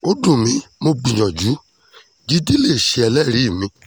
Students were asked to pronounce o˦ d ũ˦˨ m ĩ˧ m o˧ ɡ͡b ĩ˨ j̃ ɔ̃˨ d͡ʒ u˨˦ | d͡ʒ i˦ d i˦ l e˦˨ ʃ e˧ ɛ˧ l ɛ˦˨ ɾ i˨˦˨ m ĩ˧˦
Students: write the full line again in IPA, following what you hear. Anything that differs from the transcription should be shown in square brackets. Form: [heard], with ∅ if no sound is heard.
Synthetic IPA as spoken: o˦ d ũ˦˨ m ĩ˧ m o˧ ɡ͡b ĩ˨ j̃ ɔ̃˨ d͡ʒ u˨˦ | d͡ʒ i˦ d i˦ l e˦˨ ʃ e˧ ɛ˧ l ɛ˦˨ ɾ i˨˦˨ m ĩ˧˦